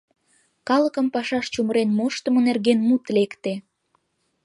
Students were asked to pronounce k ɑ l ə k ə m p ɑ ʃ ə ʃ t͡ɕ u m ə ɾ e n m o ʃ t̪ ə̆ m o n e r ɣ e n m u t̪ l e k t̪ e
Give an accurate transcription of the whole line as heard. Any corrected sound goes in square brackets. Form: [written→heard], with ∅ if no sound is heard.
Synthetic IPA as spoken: k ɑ l ə k ə m p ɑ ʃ [ə→ɑ] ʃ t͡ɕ u m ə ɾ e n m o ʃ t̪ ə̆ m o n e r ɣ e n m u t̪ l e k t̪ e